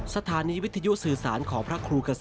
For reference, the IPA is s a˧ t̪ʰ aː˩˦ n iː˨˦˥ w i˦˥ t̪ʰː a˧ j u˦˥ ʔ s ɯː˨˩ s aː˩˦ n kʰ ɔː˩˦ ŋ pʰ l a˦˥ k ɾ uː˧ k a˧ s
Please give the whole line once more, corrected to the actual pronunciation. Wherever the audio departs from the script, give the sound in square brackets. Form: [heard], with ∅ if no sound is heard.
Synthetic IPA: s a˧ t̪ʰ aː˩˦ n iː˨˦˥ w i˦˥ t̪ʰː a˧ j u˦˥ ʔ s ɯː˨˩ s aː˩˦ n kʰ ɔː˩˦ ŋ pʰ [ɾ] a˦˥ [kʰ] ɾ uː˧ k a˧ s